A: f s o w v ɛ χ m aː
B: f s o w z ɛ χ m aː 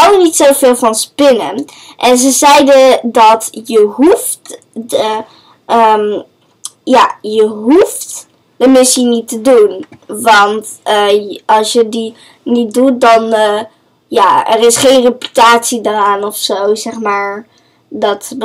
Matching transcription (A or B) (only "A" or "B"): B